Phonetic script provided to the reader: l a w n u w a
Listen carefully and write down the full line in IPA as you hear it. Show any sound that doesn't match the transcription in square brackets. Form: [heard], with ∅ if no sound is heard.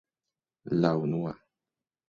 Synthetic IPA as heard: l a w n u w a